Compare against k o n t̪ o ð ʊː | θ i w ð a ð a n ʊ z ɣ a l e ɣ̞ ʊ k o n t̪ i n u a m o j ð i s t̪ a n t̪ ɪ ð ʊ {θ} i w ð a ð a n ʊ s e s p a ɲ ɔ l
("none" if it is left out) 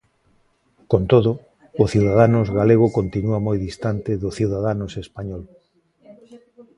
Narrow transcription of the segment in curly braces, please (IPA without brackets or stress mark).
θ